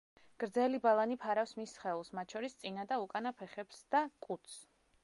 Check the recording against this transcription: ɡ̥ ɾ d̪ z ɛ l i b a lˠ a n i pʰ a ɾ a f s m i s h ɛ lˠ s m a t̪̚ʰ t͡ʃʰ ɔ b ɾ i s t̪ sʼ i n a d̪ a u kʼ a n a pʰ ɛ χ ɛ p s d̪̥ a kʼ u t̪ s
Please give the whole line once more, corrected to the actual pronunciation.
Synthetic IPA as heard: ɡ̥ ɾ d̪ z ɛ l i b a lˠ a n i pʰ a ɾ a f s m i s χ ɛ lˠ s m a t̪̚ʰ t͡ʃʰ ɔ ɾ i s t̪ sʼ i n a d̪ a u kʼ a n a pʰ ɛ χ ɛ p s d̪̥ a kʼ u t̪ s